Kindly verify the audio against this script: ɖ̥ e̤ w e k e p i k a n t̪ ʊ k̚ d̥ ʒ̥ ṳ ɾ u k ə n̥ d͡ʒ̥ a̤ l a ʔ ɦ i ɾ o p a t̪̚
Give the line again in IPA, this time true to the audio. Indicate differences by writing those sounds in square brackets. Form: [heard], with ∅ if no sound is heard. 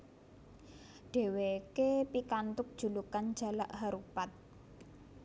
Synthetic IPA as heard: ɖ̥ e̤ w e k e p i k a n t̪ ʊ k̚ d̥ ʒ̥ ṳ [l] u k [a] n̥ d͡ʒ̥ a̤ l a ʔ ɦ [a] ɾ [u] p a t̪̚